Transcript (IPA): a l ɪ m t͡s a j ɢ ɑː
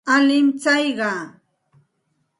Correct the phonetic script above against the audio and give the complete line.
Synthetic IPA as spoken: a l ɪ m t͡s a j ɢ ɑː

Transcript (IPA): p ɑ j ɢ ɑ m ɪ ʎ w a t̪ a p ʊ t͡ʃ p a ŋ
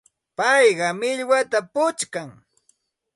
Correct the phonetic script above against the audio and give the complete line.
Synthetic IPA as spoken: p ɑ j ɢ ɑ m ɪ ʎ w a t̪ a p ʊ t͡ʃ k a ŋ

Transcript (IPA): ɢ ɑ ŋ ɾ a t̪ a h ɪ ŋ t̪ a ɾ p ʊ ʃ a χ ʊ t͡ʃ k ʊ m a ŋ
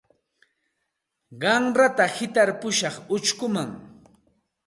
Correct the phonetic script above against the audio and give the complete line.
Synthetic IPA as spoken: ɢ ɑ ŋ ɾ a t̪ a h ɪ t̪ a ɾ p ʊ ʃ ɑ χ ʊ t͡ʃ k ʊ m a ŋ

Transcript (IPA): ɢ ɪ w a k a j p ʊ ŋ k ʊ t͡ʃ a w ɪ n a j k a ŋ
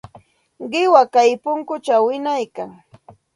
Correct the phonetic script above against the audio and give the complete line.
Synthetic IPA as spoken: ɢ ɪ w a k a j p ʊ ŋ k ʊ t͡ʃ a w ɪ n a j k a ŋ

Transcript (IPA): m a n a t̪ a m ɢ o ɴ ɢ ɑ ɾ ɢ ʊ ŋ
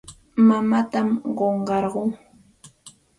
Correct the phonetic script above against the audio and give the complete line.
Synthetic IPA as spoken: m a m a t̪ a m ɢ o ɴ ɢ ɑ ɾ ɢ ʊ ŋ

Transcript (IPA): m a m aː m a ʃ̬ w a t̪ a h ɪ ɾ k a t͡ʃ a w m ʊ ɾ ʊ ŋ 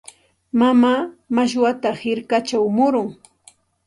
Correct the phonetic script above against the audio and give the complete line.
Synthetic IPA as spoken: m a m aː m a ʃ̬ w a t̪ a h ɪ ɾ k a t͡ʃ a w m ʊ ɾ ʊ ŋ

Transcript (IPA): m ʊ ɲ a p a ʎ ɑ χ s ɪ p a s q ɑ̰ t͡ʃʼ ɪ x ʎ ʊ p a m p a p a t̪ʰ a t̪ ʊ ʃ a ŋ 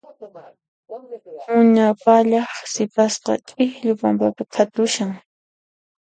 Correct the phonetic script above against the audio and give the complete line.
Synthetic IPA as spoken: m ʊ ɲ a p a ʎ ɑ χ s ɪ p a s q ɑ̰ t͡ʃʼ ɪ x ʎ ʊ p a m p a p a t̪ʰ a t̪ ʊ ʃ a ŋ

